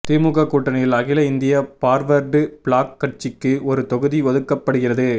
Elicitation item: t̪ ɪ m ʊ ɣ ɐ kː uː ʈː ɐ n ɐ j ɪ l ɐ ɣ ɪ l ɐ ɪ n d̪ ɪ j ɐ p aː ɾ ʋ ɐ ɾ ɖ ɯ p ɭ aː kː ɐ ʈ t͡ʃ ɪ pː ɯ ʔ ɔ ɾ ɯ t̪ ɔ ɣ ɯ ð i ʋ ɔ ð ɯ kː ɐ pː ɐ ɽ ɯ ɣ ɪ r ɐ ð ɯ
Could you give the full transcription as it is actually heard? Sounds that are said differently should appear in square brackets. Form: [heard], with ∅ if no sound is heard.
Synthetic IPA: t̪ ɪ m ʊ ɣ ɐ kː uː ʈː ɐ n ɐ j ɪ l ɐ ɣ ɪ l ɐ ɪ n d̪ ɪ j ɐ p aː ɾ ʋ ɐ ɾ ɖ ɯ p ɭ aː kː ɐ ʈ t͡ʃ ɪ [kː] ɯ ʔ ɔ ɾ ɯ t̪ ɔ ɣ ɯ ð i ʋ ɔ ð ɯ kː ɐ pː ɐ ɽ ɯ ɣ ɪ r ɐ ð ɯ